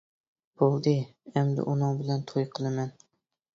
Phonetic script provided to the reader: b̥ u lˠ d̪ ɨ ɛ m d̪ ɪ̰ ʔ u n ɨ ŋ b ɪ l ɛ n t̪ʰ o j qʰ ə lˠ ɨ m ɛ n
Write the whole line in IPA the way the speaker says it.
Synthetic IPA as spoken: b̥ o lˠ d̪ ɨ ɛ m d̪ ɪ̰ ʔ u n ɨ ŋ b ɪ l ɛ n t̪ʰ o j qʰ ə lˠ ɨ m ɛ n